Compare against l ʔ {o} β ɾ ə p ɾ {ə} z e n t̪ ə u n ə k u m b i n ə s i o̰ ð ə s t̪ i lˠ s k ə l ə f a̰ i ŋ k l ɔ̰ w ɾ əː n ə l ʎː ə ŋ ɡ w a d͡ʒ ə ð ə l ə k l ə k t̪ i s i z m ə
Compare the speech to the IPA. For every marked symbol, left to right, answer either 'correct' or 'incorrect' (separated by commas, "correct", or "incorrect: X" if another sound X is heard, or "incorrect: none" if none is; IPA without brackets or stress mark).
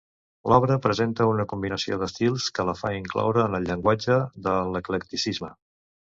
incorrect: ɔ, correct